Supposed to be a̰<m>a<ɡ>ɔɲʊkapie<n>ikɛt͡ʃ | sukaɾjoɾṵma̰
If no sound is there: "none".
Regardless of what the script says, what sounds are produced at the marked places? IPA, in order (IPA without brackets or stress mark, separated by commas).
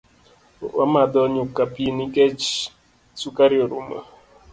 m, d, n